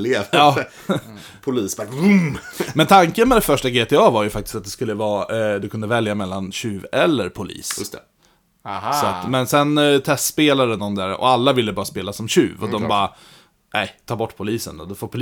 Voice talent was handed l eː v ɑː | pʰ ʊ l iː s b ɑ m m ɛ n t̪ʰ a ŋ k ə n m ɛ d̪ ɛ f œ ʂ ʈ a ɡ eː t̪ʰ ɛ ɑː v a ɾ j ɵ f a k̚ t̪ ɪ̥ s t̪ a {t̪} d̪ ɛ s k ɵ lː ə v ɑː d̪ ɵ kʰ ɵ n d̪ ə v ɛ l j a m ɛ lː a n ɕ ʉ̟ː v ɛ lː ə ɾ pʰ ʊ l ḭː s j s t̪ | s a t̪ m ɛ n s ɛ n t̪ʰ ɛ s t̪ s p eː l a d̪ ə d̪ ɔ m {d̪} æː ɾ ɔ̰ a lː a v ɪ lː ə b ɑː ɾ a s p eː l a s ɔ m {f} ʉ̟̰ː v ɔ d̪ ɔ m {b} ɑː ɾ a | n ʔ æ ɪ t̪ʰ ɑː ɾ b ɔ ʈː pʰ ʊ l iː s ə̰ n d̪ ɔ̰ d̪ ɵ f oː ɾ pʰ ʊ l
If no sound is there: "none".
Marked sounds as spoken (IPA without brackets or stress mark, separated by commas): t̪, d̪, ɕ, b